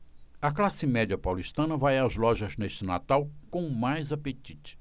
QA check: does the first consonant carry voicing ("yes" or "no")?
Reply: no